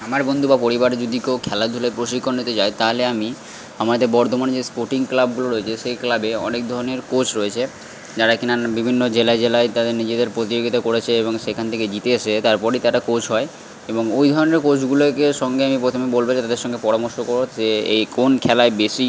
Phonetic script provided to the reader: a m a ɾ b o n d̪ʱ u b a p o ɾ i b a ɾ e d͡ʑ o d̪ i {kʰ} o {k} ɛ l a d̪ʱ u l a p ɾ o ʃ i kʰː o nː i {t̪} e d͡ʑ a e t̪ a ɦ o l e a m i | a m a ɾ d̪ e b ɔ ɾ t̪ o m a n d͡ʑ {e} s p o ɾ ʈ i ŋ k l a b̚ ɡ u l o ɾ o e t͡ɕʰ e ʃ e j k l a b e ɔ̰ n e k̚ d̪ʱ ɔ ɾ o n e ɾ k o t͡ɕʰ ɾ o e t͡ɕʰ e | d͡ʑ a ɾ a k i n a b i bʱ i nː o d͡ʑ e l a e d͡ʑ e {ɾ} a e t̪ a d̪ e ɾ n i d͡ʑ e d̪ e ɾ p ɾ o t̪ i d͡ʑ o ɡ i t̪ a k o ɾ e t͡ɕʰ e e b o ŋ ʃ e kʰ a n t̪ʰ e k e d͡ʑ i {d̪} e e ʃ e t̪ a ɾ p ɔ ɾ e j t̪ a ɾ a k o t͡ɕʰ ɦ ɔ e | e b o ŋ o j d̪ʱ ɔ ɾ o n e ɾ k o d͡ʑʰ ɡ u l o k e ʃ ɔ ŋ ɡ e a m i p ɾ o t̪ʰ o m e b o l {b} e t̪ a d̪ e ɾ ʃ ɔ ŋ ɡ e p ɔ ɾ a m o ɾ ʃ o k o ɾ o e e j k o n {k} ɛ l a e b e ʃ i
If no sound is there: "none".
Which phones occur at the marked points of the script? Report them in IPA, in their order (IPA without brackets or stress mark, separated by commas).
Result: k, kʰ, t̪, e, l, t̪, b, kʰ